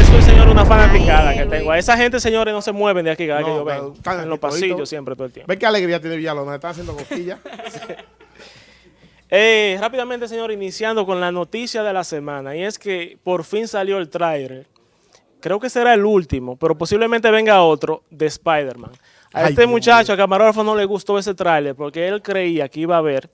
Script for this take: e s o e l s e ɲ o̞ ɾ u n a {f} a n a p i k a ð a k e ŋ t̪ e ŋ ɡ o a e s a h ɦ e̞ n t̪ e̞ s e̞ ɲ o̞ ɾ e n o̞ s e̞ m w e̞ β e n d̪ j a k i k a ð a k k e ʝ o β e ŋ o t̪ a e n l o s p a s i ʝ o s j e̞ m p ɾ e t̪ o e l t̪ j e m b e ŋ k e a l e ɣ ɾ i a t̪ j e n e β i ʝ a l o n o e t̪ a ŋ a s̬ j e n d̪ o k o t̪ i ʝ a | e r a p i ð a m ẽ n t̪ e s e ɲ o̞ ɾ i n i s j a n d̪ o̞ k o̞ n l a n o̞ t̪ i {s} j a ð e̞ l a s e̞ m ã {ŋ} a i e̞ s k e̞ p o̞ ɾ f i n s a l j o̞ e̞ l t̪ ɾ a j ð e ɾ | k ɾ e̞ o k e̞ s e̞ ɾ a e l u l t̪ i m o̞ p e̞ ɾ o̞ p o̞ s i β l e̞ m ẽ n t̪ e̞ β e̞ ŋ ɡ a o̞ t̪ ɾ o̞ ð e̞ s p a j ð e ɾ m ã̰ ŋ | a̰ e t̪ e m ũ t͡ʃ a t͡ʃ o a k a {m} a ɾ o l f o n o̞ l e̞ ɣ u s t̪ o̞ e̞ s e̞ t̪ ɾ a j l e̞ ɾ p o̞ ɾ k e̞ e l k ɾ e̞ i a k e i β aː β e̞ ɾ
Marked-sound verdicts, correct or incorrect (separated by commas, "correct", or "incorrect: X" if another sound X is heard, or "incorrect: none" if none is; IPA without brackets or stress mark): correct, correct, incorrect: n, correct